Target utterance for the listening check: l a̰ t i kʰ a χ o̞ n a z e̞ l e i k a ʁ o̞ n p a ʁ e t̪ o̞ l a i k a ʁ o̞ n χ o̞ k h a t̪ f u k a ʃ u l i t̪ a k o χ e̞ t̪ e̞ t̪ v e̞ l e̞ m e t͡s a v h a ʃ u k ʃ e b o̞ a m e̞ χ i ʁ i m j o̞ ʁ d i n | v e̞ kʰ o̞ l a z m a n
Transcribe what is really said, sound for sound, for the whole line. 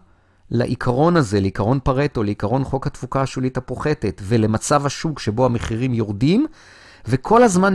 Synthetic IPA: l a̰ ʔ i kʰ a ʁ o̞ n a z e̞ l e i k a ʁ o̞ n p a ʁ e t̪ o̞ l e i k a ʁ o̞ n χ o̞ k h a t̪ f u k a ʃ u l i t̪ a p o χ e̞ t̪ e̞ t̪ v e̞ l e̞ m a t͡s a v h a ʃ u k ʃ e b o̞ a m e̞ χ i ʁ i m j o̞ ʁ d i m | v e̞ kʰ o̞ l a z m a n